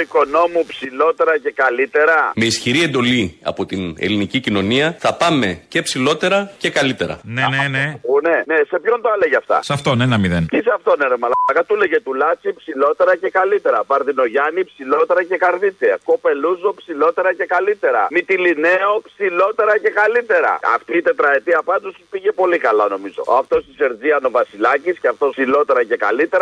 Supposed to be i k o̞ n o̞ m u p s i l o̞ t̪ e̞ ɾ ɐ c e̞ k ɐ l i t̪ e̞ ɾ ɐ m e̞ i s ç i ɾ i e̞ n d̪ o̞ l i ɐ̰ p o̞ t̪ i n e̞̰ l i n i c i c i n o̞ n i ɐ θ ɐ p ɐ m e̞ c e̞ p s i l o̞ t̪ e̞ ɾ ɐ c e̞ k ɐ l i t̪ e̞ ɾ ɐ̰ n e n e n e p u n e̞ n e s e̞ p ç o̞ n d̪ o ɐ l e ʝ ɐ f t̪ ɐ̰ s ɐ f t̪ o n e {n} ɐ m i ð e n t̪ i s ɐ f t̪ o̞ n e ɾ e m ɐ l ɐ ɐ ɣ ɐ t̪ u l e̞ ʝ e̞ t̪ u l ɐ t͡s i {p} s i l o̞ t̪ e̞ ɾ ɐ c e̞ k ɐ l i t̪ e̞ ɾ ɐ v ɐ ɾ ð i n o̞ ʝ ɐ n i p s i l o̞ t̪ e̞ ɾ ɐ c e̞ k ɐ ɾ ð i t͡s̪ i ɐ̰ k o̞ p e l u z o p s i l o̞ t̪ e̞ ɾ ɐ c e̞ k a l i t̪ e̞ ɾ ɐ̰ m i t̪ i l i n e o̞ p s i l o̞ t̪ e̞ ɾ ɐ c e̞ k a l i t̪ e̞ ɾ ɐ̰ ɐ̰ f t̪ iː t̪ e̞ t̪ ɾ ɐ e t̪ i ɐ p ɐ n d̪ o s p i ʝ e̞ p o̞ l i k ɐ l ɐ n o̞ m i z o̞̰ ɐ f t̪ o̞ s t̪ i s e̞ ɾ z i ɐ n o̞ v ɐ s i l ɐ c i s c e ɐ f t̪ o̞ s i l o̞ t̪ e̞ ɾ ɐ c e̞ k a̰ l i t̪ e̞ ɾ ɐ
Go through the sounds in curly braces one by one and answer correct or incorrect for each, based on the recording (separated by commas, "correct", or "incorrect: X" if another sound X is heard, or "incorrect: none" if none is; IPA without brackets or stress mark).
correct, correct